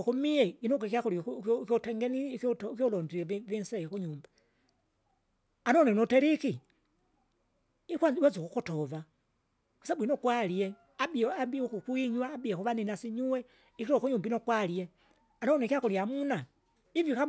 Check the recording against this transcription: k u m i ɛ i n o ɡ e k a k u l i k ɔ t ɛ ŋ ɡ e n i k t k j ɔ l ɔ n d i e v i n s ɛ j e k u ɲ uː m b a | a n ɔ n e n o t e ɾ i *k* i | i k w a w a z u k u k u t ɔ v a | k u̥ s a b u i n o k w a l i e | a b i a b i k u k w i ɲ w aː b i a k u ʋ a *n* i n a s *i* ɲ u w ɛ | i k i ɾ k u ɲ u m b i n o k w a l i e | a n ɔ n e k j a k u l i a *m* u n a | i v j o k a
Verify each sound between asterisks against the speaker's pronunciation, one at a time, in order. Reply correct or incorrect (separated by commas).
correct, correct, correct, correct